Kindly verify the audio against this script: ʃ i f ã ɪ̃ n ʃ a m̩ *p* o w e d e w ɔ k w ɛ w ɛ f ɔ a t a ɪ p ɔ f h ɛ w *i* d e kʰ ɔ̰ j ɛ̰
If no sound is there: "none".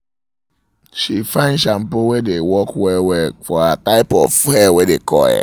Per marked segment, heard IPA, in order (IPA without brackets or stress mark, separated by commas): p, e